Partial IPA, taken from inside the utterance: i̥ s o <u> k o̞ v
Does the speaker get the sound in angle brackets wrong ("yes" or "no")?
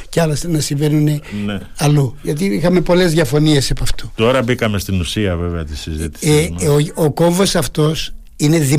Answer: yes